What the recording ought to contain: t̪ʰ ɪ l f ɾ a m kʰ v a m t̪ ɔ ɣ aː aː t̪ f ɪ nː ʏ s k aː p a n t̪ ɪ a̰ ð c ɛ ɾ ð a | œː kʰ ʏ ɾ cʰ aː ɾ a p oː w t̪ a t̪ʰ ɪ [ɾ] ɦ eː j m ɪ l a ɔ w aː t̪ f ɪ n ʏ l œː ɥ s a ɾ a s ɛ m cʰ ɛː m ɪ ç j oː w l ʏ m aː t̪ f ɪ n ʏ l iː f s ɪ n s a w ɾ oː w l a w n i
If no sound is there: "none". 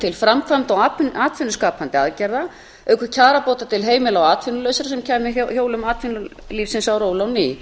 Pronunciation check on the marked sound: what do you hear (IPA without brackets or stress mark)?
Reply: l